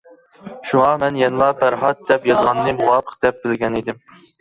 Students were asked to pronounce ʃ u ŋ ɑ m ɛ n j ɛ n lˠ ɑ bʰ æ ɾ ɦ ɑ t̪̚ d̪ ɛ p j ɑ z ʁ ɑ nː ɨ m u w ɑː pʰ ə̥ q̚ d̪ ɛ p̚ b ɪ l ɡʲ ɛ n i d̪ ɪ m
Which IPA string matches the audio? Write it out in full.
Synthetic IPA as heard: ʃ u ŋ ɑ m ɛ n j ɛ n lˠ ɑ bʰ æ ɾ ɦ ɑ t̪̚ d̪ ɛ p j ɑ z ʁ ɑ nː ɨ m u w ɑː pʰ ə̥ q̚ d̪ ɛ p̚ b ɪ l ɡʲ ɛ n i d̪ ɪ m

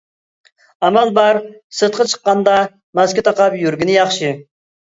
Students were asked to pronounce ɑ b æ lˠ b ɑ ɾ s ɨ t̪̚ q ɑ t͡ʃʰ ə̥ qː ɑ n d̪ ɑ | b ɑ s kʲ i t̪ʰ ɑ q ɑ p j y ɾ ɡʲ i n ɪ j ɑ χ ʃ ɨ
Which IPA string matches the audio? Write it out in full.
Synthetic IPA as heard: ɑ m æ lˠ b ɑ ɾ s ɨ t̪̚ q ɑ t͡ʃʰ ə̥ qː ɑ n d̪ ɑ | m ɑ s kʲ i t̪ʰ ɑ q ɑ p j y ɾ ɡʲ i n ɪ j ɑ χ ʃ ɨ

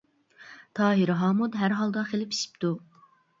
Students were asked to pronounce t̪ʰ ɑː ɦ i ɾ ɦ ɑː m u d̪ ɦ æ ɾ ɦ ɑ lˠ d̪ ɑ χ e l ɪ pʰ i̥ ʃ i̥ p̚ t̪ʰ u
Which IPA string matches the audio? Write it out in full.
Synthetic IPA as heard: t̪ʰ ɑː ɦ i ɾ ɦ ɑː m u d̪ ɦ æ ɾ ɦ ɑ lˠ d̪ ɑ χ e l ɪ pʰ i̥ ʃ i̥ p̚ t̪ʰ u

